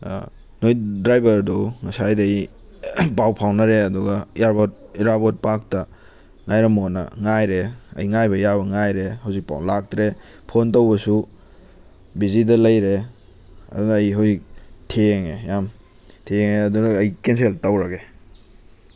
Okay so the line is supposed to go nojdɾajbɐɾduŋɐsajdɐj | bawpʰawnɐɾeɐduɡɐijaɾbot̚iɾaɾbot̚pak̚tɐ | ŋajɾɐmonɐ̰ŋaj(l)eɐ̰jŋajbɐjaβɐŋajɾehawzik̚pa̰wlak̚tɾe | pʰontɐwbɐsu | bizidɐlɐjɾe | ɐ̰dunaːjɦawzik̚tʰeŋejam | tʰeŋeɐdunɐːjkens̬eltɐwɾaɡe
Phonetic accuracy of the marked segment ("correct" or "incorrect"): incorrect